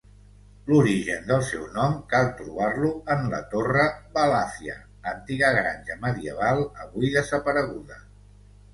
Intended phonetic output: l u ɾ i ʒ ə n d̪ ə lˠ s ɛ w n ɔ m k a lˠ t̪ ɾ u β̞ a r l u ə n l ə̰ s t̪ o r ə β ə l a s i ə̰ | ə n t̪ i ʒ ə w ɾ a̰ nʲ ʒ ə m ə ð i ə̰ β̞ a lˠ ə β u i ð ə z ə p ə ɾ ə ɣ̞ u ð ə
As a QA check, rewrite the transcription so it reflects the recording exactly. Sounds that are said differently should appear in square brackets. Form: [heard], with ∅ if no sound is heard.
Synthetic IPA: l u ɾ i ʒ ə n d̪ ə lˠ s ɛ w n ɔ m k a lˠ t̪ ɾ u β̞ a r l u ə n l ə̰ [∅] t̪ o r ə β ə l a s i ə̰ | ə n t̪ i [ɣ] ə [ɣ] ɾ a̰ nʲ ʒ ə m ə ð i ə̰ β̞ a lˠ ə β u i ð ə z ə p ə ɾ ə ɣ̞ u ð ə